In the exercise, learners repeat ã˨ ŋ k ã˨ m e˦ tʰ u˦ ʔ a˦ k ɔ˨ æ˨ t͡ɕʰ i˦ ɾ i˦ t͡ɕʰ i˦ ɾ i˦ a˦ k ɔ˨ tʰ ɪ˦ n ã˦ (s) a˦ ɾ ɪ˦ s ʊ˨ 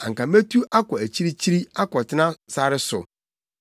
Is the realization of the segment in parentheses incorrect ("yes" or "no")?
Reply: no